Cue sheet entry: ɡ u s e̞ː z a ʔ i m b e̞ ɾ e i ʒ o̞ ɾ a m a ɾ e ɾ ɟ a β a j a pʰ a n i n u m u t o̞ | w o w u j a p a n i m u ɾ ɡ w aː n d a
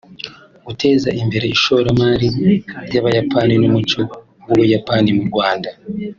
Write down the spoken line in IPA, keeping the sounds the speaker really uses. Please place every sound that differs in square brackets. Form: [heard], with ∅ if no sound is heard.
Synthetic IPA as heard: ɡ u [t] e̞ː z a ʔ i m b e̞ ɾ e i [ʃ] o̞ ɾ a m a ɾ [i] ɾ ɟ a β a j a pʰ a n i n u m u [t͡ʃ] o̞ | w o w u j a p a n i m u ɾ ɡ w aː n d a